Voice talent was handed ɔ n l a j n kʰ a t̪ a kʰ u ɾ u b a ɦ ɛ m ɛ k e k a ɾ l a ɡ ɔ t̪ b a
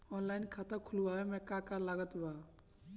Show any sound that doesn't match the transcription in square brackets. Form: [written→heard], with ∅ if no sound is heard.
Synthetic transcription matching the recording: ɔ n l a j n kʰ a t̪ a kʰ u [ɾ→l] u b a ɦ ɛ m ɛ k [e→a] k a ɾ l a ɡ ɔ t̪ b a